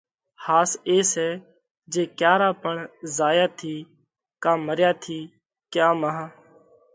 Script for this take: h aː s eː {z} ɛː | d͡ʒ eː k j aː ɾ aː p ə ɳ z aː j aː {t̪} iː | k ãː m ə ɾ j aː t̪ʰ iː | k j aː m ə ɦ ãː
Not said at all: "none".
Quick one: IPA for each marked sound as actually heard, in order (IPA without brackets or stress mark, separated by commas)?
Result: s, t̪ʰ